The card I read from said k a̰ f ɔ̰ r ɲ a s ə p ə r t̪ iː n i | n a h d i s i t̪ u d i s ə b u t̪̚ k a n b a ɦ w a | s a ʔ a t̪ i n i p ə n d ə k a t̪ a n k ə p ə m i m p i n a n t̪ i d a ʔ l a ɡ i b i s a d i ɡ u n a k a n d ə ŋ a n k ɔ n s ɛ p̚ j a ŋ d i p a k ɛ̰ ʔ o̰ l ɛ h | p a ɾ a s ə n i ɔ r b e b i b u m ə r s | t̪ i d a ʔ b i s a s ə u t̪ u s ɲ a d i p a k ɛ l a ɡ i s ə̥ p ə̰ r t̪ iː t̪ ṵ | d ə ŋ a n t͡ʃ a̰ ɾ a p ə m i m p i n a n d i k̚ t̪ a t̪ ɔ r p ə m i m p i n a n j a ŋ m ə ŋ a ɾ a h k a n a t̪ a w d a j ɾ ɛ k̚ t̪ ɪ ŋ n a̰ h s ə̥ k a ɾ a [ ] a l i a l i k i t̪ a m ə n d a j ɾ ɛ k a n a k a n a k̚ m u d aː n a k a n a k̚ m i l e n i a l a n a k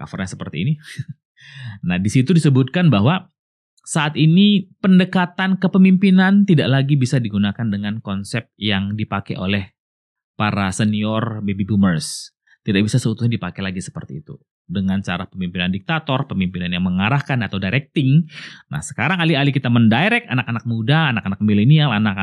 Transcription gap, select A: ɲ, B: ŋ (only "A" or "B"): B